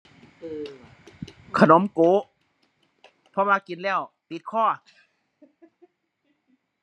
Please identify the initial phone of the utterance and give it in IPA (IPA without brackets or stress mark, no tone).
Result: kʰ